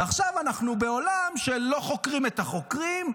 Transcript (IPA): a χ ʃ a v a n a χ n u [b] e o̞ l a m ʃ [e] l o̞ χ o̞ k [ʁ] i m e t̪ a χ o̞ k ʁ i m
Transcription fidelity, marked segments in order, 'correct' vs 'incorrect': correct, correct, correct

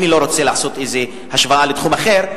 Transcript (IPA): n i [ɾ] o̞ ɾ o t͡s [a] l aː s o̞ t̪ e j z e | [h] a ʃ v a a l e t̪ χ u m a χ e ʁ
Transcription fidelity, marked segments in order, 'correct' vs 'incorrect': incorrect: l, incorrect: e, correct

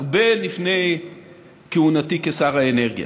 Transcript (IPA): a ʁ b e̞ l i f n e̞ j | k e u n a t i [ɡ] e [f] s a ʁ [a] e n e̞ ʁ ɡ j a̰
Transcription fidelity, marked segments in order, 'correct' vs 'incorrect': incorrect: k, incorrect: none, correct

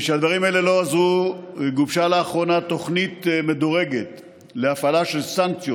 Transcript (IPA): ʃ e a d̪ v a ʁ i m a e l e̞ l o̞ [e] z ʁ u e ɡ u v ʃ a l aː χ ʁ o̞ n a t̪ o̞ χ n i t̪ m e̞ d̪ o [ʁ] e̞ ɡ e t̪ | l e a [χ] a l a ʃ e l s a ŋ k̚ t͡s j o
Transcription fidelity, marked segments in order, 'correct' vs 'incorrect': incorrect: a, correct, incorrect: f

